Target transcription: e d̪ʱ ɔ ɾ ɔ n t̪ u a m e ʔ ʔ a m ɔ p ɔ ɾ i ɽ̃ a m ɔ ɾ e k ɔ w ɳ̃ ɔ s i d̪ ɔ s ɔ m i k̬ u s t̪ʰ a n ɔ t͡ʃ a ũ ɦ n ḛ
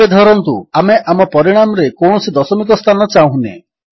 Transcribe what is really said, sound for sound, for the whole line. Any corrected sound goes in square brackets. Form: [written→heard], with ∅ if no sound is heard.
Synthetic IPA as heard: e d̪ʱ ɔ ɾ ɔ n t̪ u a m e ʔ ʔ a m ɔ p ɔ ɾ i ɽ̃ a m ɔ ɾ e k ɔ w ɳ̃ ɔ s i d̪ ɔ s ɔ m i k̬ [u→ɔ] s t̪ʰ a n ɔ t͡ʃ a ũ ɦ n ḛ